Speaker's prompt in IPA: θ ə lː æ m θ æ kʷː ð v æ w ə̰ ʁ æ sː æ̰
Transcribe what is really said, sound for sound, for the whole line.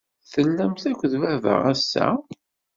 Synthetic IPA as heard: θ ə lː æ m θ æ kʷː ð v æ v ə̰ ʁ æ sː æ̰